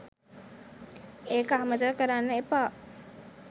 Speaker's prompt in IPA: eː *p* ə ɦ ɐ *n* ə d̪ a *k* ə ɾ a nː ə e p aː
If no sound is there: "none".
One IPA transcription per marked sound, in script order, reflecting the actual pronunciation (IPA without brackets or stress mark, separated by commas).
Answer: k, m, k